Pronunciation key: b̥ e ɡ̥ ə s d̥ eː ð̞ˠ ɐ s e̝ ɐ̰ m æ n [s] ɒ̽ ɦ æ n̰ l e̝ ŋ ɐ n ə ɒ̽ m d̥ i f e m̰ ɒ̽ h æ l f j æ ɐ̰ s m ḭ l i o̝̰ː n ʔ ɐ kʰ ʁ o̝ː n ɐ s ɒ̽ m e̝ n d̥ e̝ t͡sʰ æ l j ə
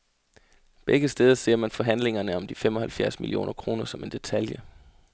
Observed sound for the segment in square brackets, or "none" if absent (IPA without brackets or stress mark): f